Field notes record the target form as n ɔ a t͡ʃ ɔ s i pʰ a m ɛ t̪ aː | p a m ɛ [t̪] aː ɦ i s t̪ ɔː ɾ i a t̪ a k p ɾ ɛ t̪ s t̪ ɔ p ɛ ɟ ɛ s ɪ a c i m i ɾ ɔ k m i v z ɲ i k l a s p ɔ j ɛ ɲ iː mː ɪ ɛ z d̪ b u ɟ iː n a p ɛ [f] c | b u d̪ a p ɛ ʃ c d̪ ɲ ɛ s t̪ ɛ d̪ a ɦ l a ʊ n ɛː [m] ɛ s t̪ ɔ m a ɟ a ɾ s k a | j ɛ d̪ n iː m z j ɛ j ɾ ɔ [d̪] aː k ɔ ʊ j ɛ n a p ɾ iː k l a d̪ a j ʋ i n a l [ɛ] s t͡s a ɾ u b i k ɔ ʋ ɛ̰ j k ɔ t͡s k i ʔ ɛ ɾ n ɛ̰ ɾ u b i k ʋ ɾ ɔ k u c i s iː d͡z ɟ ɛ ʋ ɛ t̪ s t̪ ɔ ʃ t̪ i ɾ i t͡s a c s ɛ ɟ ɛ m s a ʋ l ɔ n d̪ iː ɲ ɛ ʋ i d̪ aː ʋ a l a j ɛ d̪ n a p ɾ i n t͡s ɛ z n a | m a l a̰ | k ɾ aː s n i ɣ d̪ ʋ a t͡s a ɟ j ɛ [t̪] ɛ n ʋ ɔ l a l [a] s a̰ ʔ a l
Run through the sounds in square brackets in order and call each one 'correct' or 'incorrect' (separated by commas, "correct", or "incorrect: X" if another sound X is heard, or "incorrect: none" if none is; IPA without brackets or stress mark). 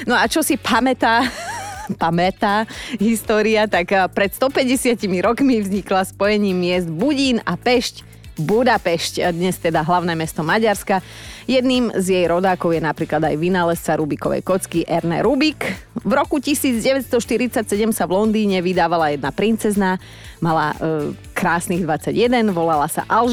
correct, incorrect: ʃ, correct, correct, correct, incorrect: d̪, correct